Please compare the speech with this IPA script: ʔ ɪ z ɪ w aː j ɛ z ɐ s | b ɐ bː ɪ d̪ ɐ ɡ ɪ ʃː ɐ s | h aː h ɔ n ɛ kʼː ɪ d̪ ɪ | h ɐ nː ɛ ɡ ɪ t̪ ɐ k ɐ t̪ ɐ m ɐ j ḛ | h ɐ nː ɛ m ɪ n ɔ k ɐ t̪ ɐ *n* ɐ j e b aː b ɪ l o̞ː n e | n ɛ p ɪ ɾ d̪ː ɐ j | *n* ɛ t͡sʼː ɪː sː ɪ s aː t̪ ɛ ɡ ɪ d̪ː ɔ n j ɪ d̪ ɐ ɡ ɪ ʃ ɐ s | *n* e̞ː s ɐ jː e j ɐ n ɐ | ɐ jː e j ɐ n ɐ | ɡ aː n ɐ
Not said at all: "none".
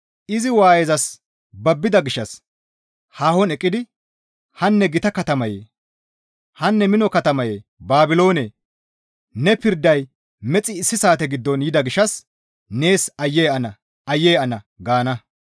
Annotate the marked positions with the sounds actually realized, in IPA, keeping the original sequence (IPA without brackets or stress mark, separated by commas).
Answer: m, m, n